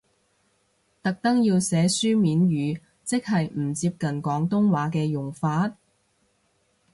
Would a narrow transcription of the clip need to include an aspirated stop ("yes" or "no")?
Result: no